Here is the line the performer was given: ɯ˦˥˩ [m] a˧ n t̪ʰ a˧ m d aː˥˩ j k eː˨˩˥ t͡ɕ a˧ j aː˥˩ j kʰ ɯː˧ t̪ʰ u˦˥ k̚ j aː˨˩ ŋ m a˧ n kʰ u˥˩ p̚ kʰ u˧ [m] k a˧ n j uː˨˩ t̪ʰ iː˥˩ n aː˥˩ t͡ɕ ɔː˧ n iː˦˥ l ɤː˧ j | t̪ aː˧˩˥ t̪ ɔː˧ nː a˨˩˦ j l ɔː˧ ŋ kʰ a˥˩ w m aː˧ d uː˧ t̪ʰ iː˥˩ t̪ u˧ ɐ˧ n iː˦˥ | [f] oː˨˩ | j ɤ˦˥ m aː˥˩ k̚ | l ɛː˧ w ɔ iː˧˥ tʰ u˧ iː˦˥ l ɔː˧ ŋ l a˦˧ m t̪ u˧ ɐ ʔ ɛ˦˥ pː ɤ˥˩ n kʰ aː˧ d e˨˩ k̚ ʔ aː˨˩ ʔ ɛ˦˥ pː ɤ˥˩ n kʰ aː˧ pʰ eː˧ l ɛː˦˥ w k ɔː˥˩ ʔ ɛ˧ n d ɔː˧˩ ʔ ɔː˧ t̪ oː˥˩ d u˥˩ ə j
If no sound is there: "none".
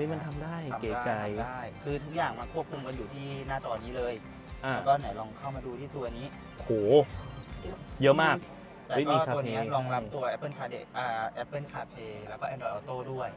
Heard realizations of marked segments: m, m, h

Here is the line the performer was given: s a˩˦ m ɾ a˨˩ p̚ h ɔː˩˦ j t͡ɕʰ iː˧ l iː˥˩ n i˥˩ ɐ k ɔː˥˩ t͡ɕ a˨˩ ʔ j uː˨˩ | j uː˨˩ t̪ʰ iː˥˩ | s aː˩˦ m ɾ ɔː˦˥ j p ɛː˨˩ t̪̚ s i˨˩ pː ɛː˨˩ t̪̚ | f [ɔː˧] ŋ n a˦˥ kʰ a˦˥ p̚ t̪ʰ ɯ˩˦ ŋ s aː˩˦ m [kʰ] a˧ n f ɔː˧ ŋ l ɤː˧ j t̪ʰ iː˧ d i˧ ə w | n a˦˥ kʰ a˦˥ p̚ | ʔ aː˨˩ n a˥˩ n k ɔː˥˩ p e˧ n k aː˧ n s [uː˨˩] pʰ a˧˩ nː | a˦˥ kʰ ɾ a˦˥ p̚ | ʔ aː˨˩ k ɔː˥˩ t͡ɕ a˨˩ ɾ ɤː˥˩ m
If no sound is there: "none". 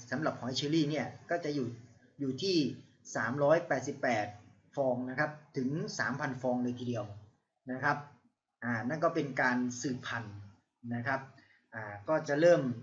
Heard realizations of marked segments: ɔː˧, pʰ, ɯː˨˩

